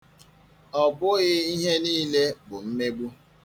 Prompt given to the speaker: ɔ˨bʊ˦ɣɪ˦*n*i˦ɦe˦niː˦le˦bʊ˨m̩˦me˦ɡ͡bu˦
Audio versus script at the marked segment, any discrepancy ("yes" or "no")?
yes